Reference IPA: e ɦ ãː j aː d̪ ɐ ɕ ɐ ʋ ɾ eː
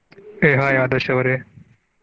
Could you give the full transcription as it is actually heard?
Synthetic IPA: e ɦ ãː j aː d̪ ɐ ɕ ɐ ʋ ɾ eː